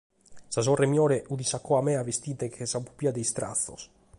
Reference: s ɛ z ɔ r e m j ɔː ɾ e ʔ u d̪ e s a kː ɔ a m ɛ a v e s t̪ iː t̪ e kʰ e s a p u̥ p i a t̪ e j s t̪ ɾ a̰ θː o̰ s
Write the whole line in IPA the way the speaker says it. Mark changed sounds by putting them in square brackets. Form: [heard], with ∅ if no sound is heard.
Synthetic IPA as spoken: s [a] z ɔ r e m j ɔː ɾ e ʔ u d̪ [i] s a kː ɔ a m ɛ a v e s t̪ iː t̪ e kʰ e s a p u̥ p i a [d̪] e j s t̪ ɾ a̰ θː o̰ s